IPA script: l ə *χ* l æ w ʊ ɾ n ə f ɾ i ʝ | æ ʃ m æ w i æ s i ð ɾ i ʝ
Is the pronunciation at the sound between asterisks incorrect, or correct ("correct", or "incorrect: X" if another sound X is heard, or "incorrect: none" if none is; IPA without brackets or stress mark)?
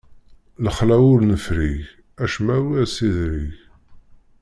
correct